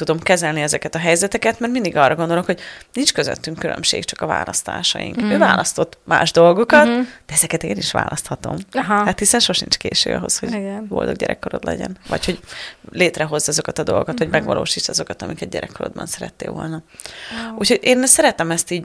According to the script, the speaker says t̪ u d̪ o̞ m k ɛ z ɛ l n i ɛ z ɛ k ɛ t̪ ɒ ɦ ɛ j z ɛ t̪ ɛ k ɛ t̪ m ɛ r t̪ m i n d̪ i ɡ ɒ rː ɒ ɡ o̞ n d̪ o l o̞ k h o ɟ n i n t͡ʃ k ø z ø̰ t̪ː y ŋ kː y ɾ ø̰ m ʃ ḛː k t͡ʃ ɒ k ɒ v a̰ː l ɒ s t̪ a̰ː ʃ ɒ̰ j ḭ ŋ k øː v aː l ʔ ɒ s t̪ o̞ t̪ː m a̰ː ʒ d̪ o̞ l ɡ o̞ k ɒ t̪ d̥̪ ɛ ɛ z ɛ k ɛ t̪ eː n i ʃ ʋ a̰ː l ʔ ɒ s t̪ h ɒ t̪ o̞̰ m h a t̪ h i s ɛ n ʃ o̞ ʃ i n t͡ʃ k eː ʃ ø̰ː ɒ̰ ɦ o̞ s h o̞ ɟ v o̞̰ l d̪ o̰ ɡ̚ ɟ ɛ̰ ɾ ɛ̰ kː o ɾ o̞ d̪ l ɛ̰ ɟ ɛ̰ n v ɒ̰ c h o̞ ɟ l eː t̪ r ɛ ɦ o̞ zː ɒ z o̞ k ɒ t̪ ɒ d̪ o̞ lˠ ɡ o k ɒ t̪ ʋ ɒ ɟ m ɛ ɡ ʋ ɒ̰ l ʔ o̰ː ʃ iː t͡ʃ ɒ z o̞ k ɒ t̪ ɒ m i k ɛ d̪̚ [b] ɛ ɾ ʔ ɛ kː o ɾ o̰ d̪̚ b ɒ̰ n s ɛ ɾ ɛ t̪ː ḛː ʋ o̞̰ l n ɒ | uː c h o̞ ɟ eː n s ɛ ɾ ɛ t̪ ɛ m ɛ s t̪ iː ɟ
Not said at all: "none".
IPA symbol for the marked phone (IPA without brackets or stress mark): ɟ